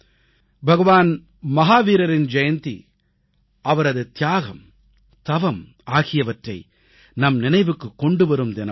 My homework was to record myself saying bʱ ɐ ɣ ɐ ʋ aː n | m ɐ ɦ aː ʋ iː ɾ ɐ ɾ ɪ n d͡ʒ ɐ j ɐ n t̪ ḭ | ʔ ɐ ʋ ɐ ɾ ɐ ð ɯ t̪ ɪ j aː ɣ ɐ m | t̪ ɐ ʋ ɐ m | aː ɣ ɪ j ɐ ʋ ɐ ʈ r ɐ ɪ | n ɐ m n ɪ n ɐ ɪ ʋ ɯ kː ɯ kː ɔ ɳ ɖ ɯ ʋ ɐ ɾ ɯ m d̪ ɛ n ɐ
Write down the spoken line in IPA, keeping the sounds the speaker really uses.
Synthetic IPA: bʱ ɐ ɣ ɐ ʋ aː n | m ɐ ɦ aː ʋ iː ɾ ɐ ɾ ɪ n d͡ʒ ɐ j ɐ n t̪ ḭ | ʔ ɐ ʋ ɐ ɾ ɐ ð ɯ t̪ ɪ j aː ɣ ɐ m | t̪ ɐ ʋ ɐ m | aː ɣ ɪ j ɐ ʋ ɐ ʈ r ɐ ɪ | n ɐ m n ɪ n ɐ ɪ ʋ ɯ kː ɯ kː ɔ ɳ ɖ ɯ ʋ ɐ ɾ ɯ m d̪ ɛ n ɐ